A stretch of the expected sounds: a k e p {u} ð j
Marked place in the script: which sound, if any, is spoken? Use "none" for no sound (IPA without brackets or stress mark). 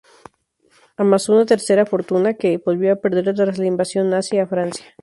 o